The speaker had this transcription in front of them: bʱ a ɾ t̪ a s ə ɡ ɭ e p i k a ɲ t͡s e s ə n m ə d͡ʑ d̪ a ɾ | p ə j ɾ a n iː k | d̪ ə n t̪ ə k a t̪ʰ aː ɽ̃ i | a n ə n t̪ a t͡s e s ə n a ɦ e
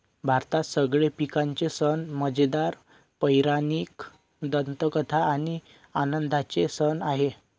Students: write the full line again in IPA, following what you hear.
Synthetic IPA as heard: bʱ a ɾ t̪ a s ə ɡ ɭ e p i k a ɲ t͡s e s ə n m ə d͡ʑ d̪ a ɾ | p ə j ɾ a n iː k | d̪ ə n t̪ ə k ə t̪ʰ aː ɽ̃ i | a n ə n d̪ a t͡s e s ə n a ɦ e